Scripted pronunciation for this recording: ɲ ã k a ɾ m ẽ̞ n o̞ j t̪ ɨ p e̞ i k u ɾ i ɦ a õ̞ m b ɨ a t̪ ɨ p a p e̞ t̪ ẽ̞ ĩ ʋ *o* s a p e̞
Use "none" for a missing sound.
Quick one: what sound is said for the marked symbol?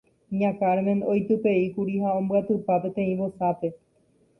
o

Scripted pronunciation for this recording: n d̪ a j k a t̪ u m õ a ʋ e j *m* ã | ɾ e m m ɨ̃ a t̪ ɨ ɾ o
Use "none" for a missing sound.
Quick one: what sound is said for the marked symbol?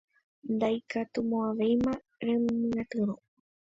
m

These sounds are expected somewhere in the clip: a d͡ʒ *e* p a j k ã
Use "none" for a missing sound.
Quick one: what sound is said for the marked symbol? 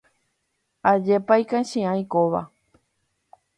e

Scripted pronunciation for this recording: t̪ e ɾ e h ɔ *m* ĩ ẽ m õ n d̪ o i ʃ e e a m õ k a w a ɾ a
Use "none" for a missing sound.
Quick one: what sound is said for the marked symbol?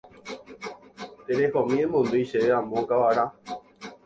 m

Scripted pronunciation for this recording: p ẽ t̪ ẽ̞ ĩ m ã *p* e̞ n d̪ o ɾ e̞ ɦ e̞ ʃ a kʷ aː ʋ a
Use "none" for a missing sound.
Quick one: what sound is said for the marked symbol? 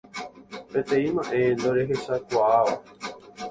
ʔ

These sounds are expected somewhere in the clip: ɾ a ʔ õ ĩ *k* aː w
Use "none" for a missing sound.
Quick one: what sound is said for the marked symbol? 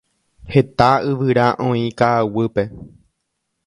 k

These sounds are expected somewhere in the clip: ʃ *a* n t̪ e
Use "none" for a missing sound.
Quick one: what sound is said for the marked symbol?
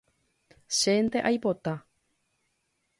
e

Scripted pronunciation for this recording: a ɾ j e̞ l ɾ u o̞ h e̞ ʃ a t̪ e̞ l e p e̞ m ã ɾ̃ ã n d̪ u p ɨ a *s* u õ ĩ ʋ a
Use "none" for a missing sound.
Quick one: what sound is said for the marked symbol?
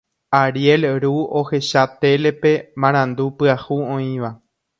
h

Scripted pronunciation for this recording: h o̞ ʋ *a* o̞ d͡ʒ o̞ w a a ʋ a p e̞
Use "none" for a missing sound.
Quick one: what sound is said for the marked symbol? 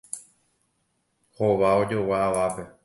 a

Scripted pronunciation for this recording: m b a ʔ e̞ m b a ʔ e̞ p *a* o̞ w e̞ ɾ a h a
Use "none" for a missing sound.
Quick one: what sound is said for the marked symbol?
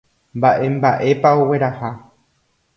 a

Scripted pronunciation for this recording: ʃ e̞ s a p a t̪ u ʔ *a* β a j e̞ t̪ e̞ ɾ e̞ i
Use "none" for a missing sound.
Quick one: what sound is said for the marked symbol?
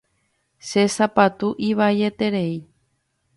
i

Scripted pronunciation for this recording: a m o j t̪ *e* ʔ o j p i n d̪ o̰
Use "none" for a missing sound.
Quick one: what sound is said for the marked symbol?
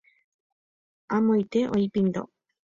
e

